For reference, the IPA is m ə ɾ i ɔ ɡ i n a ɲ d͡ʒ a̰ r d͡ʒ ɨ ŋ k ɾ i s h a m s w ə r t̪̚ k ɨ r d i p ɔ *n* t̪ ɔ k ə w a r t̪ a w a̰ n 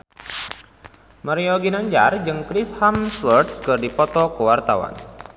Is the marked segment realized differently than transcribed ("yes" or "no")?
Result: yes